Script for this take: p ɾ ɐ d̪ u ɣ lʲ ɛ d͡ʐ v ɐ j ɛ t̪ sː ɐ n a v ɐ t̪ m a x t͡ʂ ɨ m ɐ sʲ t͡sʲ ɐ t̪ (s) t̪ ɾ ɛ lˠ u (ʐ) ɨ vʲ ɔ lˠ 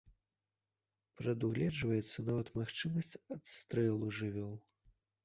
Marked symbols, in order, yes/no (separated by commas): yes, yes